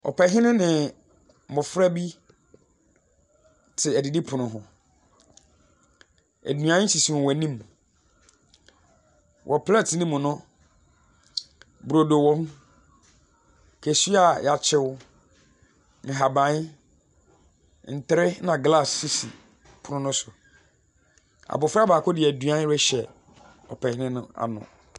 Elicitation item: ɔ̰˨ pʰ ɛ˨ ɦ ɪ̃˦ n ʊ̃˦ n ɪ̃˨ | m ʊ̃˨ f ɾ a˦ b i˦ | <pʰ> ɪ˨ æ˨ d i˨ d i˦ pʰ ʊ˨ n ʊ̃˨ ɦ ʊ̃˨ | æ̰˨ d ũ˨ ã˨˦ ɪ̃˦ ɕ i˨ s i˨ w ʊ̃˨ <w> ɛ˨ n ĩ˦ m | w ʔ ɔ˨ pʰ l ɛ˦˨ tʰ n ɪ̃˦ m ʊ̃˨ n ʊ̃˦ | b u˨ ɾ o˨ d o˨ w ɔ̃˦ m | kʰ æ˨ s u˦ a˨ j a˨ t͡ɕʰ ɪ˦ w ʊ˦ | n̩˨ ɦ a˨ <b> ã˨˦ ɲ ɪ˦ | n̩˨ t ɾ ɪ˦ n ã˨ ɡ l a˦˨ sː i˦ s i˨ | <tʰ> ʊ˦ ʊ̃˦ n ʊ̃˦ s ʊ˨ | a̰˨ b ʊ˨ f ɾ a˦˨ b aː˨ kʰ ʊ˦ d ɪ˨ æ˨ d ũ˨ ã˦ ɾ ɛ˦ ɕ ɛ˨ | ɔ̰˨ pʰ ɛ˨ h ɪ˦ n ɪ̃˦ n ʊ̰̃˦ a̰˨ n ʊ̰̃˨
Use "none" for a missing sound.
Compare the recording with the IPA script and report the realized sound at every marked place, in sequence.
tʰ, w, b, pʰ

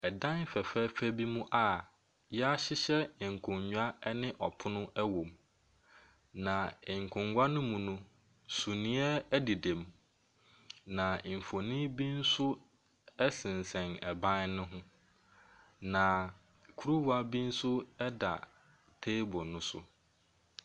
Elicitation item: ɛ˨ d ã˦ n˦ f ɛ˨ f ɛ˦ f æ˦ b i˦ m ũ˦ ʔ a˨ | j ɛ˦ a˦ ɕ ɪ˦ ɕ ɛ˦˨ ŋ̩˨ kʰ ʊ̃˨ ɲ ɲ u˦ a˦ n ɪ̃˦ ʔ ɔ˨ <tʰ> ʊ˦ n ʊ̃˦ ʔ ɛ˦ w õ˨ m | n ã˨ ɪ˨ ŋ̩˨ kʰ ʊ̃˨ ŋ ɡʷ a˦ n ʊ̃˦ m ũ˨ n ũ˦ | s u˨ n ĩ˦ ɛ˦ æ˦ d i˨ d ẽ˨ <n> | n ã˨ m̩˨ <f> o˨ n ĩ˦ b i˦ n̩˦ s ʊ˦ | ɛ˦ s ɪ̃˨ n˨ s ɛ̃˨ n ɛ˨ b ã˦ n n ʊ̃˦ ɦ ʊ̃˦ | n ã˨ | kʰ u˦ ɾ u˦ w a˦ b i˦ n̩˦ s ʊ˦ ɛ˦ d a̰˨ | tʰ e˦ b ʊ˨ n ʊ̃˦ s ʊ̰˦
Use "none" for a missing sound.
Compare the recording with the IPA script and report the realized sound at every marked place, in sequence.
pʰ, m, f

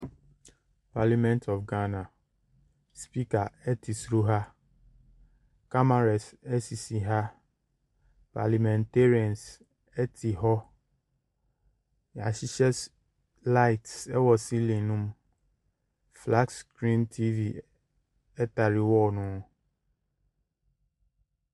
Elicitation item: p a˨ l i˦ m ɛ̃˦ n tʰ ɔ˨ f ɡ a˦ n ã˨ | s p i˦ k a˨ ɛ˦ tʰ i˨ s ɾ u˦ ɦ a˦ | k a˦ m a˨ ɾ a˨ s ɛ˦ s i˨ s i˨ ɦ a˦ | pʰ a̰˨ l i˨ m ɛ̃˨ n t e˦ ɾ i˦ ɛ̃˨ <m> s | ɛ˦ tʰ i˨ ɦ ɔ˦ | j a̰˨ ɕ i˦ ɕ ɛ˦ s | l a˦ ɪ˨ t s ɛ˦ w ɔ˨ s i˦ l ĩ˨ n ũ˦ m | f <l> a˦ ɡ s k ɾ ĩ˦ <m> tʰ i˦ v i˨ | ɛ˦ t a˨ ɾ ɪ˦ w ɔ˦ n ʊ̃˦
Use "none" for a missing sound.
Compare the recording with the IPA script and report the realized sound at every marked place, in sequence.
n, l, n

